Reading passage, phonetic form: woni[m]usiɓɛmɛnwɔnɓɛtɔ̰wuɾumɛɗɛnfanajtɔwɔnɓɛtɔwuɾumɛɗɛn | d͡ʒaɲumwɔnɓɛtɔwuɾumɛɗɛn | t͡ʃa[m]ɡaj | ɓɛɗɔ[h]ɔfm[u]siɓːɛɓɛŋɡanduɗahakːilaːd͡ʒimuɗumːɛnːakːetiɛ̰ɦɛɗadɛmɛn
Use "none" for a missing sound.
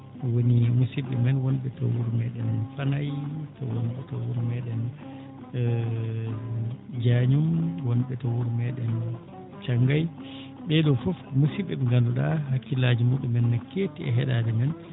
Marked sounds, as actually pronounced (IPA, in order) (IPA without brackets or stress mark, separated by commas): m, ŋ, f, u